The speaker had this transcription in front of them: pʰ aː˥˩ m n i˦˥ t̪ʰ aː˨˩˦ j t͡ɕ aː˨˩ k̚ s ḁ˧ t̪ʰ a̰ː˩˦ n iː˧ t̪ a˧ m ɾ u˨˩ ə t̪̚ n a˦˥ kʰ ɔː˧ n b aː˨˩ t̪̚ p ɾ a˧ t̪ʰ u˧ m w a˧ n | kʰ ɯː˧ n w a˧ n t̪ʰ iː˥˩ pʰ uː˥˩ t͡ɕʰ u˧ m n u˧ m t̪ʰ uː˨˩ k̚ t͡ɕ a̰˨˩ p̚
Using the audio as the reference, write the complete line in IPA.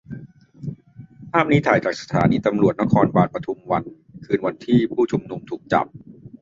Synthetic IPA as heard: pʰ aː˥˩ m n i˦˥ t̪ʰ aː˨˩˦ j t͡ɕ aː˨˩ k̚ s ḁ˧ t̪ʰ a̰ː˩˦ n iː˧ t̪ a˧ m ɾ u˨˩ ə t̪̚ n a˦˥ kʰ ɔː˧ n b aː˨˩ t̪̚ p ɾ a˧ t̪ʰ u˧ m w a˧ n | kʰ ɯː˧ n w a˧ n t̪ʰ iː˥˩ pʰ uː˥˩ t͡ɕʰ u˧ m n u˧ m t̪ʰ uː˨˩ k̚ t͡ɕ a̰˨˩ p̚